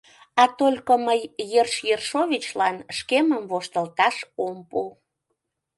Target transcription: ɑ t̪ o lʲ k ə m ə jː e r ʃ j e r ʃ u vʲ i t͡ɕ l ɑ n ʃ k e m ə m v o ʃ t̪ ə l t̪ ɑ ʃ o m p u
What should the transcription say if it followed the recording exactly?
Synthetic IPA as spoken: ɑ t̪ o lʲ k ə m ə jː e r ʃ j e r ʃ o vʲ i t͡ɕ l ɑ n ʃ k e m ə m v o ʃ t̪ ə l t̪ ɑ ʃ o m p u